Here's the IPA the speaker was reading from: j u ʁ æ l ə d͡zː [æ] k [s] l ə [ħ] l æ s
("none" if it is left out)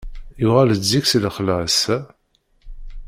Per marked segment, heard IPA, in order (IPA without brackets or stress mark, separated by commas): i, s, χ